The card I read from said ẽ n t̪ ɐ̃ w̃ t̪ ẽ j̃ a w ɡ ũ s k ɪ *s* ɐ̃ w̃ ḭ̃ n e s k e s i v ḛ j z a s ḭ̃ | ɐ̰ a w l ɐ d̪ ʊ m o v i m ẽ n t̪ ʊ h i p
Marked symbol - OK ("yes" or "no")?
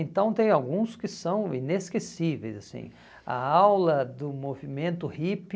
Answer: yes